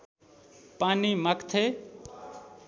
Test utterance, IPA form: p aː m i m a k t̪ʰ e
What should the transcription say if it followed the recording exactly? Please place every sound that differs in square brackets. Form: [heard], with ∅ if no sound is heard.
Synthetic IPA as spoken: p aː [n] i m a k t̪ʰ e

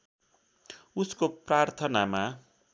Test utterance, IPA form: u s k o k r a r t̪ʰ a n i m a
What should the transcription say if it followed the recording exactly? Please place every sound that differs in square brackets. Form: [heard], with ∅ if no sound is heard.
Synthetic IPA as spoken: u s k o [p] r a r t̪ʰ [ʌ] n [a] m a

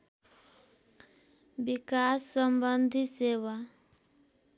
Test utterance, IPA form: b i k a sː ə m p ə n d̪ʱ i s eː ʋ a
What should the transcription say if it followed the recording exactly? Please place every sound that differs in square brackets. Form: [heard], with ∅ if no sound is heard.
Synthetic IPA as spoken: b i k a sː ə m [b] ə n d̪ʱ i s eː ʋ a

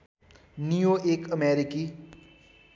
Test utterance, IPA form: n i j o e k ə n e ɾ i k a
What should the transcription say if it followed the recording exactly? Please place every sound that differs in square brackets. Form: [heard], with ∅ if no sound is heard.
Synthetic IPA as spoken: n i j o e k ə [m] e ɾ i k [i]

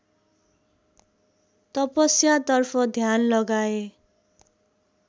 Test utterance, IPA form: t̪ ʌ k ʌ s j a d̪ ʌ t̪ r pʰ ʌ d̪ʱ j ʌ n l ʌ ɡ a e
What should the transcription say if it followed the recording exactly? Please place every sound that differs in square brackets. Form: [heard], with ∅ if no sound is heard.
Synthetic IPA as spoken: t̪ ʌ [p] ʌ s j a [t̪] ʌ [∅] r pʰ ʌ d̪ʱ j [a] n l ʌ ɡ a e

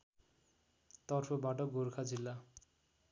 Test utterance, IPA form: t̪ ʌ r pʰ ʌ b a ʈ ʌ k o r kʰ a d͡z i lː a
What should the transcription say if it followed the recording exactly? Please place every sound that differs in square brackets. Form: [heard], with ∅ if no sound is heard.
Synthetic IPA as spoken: t̪ ʌ r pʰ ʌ b a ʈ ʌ [ɡ] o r kʰ a d͡z i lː a

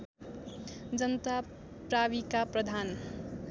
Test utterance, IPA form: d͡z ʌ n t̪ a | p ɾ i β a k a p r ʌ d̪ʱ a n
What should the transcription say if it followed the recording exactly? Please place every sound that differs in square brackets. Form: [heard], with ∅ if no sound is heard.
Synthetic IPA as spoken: d͡z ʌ n t̪ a | p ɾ [a] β [i] k a p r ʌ d̪ʱ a n

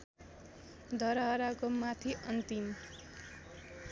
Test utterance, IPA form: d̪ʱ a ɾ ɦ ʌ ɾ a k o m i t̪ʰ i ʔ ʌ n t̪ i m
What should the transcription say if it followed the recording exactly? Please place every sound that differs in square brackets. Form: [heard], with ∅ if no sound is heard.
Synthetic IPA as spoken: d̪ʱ [ʌ] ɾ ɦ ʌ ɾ a k o m [a] t̪ʰ i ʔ ʌ n t̪ i m

